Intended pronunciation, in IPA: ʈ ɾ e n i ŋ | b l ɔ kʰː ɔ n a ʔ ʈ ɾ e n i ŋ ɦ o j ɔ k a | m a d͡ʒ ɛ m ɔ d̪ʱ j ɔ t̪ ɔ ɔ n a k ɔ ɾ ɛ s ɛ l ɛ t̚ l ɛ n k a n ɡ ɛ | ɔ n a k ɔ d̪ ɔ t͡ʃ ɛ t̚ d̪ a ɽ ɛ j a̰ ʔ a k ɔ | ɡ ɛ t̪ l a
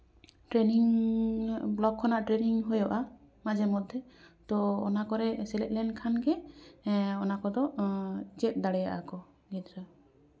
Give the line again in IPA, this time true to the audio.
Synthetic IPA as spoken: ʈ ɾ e n i ŋ | b l ɔ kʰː ɔ n a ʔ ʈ ɾ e n i ŋ ɦ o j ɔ ʔ a | m a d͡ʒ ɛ m ɔ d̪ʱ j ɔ t̪ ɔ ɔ n a k ɔ ɾ ɛ s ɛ l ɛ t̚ l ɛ n kʰ a n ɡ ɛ | ɔ n a k ɔ d̪ ɔ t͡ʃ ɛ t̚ d̪ a ɽ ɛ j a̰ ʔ a k ɔ | ɡ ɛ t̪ ɾ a